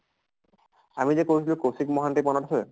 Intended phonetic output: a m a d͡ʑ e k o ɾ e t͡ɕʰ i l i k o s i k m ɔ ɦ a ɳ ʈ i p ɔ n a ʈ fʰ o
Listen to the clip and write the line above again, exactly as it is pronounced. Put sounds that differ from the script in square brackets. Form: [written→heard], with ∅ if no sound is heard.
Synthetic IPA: a m [a→i] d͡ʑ e k o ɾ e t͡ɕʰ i l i k o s i k m ɔ ɦ a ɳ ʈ i p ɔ n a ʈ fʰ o